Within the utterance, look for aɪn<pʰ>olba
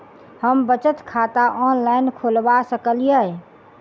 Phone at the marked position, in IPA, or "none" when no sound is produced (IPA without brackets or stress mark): kʰ